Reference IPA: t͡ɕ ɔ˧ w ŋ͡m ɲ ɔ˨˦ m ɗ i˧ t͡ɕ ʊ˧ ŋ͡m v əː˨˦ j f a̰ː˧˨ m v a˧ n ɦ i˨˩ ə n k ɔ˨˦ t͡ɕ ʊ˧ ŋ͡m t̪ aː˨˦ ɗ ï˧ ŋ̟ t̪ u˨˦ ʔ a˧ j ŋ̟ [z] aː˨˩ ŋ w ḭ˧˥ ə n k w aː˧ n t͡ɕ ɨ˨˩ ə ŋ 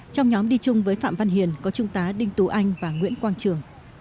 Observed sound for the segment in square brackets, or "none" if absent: v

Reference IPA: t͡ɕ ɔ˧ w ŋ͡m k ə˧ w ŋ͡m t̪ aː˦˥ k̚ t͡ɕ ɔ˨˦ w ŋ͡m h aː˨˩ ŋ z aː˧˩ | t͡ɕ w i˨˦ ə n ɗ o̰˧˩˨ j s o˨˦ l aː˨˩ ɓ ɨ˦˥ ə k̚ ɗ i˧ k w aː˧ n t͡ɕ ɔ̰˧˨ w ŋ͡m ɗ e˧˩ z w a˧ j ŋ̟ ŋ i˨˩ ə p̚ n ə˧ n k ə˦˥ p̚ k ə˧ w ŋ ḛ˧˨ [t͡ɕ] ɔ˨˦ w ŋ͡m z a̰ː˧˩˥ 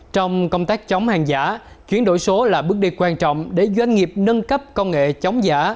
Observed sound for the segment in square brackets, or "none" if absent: t͡ɕ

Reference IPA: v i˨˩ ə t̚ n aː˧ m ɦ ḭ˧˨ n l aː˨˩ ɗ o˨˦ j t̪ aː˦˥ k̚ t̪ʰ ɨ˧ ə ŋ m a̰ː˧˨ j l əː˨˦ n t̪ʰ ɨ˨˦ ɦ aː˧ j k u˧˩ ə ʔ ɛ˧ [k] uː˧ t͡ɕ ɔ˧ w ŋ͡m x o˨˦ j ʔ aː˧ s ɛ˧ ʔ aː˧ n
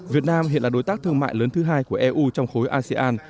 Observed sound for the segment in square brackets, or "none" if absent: ʔ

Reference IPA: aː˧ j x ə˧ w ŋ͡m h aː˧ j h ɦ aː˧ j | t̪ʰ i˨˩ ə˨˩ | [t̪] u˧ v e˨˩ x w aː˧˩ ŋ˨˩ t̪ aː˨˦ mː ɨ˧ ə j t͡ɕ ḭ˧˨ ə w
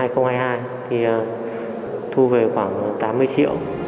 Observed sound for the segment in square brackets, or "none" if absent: t̪ʰ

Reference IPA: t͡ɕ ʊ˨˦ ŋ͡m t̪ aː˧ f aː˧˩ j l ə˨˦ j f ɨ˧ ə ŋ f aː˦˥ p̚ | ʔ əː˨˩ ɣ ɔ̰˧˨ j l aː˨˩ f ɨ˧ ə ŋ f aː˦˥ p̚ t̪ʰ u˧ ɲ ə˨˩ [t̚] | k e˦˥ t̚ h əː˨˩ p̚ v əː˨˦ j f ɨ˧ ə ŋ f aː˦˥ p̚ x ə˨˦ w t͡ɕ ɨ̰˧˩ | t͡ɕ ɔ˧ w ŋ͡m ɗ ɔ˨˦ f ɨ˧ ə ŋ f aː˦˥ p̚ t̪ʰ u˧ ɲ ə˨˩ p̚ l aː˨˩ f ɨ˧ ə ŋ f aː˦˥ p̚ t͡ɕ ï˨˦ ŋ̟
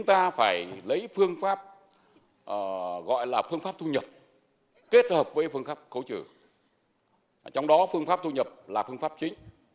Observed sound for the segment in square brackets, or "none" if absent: p̚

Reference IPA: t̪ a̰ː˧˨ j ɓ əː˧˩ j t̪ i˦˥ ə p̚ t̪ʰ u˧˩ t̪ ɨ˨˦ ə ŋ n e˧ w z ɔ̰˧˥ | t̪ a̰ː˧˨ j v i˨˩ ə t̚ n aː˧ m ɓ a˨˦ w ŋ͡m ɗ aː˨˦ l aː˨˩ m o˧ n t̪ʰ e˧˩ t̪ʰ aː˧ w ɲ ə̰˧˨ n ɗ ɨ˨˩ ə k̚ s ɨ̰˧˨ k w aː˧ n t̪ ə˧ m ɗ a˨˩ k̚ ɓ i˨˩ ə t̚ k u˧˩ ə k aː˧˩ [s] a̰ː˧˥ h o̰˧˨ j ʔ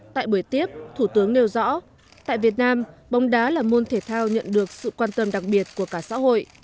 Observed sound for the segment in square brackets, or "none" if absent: s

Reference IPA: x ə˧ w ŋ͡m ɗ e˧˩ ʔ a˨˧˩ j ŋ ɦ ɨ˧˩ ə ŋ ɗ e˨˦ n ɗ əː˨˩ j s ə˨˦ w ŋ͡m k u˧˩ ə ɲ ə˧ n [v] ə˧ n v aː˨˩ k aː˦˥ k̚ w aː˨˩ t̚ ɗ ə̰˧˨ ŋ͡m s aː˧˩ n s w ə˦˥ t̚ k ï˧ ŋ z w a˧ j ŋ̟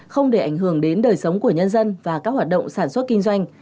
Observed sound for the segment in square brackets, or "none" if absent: z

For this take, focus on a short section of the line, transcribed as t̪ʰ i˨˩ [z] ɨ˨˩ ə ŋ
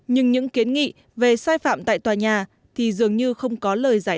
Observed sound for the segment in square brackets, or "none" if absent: z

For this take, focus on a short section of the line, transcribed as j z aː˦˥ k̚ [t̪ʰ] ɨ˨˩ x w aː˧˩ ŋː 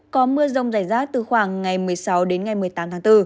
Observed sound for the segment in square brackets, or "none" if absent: t̪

